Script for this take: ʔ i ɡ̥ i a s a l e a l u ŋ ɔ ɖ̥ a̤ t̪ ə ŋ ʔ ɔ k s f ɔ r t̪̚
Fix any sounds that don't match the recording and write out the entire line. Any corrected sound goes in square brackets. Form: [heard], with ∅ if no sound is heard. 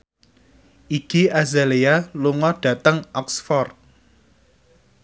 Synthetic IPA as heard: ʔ i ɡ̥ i a [z] a l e a l u ŋ ɔ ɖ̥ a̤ t̪ ə ŋ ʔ ɔ k s f ɔ r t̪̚